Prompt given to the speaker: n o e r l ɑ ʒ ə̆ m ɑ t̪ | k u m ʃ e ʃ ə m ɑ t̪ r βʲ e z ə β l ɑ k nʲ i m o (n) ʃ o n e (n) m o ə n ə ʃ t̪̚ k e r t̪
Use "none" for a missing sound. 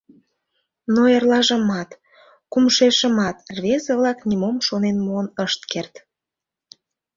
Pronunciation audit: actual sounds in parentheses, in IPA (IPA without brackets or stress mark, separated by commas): m, n